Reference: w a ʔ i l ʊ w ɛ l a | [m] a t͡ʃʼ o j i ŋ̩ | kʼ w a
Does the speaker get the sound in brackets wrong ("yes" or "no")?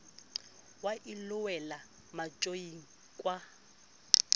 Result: no